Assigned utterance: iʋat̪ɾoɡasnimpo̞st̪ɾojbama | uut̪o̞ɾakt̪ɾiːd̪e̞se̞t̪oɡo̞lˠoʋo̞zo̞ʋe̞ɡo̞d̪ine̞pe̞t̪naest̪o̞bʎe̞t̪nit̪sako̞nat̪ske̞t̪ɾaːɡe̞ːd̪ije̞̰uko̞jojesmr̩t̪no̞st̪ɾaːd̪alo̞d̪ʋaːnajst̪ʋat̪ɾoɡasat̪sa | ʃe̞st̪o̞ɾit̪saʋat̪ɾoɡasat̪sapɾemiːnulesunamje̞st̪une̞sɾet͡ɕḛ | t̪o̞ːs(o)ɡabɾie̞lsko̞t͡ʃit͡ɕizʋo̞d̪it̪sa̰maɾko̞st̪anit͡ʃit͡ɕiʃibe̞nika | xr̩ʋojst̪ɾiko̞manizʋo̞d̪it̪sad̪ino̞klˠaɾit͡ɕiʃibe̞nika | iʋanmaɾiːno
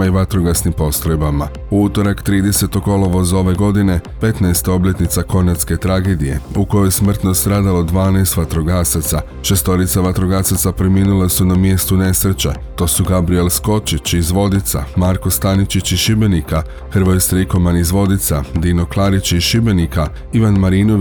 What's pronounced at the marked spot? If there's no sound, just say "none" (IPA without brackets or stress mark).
u